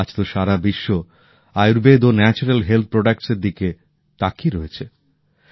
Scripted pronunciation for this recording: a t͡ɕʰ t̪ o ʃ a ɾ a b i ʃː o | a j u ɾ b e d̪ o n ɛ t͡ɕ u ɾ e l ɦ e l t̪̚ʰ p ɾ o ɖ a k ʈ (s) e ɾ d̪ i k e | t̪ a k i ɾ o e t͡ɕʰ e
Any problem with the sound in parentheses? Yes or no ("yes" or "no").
no